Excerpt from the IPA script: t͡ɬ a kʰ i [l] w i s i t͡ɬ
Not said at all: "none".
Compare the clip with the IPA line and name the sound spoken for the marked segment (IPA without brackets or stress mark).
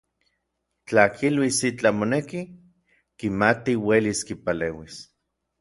l